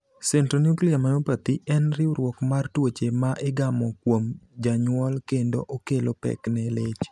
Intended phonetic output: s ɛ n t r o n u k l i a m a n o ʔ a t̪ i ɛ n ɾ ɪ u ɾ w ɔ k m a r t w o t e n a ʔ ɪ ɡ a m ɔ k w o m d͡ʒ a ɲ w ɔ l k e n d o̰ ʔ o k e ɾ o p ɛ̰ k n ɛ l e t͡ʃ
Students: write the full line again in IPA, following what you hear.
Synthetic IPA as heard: s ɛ n t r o n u k l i a m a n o p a t̪ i ɛ n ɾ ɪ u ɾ w ɔ k m a r t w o t͡ʃ e m a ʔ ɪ ɡ a m ɔ k w o m d͡ʒ a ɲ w ɔ l k e n d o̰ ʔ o k e l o p ɛ̰ k n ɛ l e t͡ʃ